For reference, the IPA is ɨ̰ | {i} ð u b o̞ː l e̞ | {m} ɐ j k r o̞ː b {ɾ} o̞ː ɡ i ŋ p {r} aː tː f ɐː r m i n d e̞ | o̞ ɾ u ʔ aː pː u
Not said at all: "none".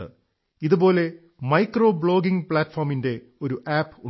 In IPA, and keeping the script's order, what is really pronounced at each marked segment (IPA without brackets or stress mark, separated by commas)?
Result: i, m, ɭ, ɭ